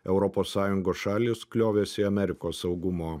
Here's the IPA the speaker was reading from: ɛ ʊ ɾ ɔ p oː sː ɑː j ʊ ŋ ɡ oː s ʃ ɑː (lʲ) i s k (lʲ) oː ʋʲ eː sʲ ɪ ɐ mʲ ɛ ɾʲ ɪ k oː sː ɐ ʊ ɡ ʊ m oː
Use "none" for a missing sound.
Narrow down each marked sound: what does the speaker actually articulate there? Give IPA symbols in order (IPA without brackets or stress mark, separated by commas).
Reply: lʲ, lʲ